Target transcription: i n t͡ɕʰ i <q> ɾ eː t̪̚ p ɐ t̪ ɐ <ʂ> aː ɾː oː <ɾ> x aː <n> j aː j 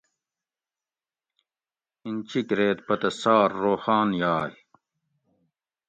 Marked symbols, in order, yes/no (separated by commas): no, no, no, yes